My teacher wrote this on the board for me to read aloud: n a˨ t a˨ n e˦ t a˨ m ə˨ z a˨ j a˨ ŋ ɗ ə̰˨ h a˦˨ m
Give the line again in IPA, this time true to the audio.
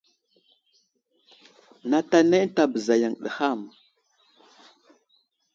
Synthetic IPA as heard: n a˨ t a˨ n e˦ t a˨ b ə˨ z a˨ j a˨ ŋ ɗ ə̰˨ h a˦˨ m